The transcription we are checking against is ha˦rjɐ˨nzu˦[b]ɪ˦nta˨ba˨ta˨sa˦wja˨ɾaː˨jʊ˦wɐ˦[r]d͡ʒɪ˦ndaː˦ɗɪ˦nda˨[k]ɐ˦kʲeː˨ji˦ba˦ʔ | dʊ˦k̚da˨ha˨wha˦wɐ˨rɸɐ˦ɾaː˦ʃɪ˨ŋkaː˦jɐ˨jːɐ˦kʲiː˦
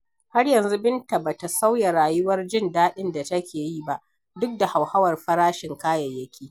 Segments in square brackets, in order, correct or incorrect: correct, correct, incorrect: t

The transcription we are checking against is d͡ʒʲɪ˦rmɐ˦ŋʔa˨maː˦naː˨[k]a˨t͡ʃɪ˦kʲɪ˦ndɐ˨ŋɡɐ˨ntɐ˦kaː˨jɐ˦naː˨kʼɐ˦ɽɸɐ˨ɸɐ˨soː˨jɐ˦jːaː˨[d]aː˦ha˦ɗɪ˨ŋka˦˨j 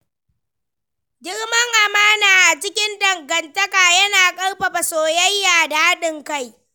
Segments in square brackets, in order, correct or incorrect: incorrect: ʔ, correct

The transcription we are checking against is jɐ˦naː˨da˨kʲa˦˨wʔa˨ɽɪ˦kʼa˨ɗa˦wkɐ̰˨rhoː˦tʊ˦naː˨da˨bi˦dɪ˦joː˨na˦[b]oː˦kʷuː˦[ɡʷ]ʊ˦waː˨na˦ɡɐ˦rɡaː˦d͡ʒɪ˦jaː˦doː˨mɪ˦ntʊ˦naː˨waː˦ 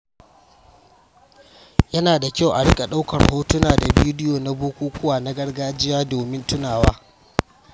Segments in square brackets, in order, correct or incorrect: correct, incorrect: kʷ

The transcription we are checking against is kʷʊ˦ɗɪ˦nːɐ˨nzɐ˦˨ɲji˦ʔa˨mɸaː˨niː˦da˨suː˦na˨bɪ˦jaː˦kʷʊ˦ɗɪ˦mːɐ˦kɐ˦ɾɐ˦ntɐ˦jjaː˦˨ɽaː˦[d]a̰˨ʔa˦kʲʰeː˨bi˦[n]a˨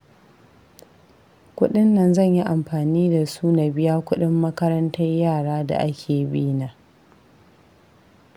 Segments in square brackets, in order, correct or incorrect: correct, correct

